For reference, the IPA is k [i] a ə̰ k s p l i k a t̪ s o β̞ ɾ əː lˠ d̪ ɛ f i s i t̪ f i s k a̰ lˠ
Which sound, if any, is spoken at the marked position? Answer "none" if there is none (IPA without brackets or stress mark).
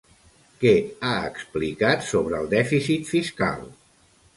ɛ